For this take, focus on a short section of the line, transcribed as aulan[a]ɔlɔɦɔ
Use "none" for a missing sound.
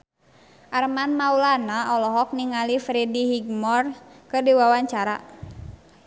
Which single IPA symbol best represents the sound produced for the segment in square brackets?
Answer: a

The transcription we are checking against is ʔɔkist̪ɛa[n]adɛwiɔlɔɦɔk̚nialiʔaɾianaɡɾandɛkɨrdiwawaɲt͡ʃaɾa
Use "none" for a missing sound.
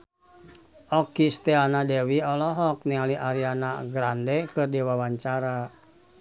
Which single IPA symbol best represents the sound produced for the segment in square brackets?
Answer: n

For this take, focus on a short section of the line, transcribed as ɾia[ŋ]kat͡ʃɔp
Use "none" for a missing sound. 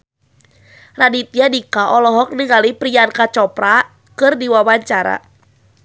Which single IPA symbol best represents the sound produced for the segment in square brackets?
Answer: n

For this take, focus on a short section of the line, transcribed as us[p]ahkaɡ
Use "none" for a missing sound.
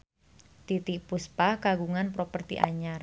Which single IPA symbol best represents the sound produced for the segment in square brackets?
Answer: p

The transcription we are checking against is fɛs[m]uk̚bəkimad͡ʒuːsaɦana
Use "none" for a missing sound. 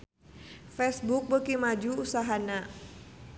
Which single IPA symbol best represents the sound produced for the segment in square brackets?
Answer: b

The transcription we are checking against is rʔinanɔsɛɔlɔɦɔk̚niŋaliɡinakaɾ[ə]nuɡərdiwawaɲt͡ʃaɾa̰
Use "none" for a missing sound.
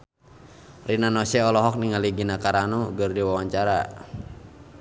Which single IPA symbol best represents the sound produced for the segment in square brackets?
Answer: a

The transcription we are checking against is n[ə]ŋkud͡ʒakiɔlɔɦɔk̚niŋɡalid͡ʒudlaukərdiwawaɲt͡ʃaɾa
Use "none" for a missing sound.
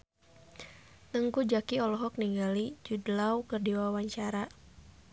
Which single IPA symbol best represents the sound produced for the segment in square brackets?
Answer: ə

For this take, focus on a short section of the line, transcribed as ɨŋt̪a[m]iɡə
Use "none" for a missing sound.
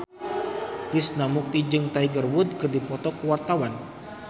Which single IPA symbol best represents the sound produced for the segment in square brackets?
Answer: none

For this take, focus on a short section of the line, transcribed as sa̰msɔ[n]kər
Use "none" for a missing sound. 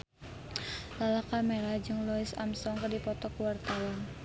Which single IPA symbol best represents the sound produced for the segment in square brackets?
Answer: ŋ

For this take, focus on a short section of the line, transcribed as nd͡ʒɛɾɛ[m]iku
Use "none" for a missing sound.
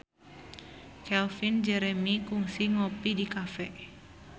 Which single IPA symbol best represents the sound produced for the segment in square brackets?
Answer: m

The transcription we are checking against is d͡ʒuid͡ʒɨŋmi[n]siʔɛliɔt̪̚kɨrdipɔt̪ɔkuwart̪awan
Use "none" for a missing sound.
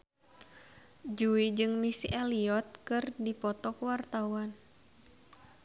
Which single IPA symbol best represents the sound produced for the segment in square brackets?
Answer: none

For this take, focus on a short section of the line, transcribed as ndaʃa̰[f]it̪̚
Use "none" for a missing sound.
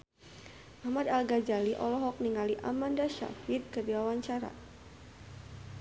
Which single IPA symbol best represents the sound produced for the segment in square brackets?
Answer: f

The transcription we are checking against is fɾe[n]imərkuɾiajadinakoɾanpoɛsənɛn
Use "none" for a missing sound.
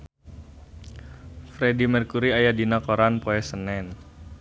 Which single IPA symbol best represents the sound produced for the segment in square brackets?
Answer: d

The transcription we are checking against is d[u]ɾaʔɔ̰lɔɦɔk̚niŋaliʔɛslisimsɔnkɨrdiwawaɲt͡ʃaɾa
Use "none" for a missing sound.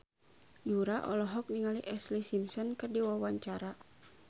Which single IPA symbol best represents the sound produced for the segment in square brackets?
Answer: u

